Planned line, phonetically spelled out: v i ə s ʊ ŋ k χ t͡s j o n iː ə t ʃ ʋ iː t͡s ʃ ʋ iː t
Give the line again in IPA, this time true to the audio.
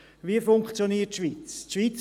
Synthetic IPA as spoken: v i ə f ʊ ŋ k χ t͡s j o n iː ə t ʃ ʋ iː t͡s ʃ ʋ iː t͡s